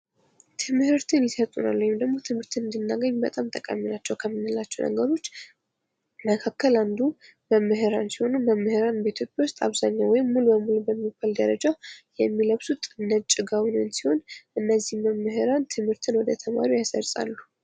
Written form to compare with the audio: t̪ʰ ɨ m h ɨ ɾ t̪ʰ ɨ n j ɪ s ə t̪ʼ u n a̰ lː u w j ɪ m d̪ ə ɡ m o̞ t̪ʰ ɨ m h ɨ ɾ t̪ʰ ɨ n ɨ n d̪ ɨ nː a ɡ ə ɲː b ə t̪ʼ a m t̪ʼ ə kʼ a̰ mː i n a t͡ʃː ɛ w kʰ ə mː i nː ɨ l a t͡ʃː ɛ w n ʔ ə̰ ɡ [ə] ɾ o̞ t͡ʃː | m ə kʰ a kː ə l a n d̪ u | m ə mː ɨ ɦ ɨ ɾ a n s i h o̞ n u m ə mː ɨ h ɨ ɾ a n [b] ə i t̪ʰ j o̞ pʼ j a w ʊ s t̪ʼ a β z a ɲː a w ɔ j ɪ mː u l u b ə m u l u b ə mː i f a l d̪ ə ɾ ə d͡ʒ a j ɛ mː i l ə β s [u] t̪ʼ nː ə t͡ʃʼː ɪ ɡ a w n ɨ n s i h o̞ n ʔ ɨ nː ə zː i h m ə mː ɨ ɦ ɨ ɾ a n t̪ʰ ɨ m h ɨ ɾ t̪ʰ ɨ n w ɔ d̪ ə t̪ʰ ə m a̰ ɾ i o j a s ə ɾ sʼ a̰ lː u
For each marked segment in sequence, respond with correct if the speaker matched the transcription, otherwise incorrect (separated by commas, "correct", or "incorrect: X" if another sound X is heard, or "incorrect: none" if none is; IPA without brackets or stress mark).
correct, correct, correct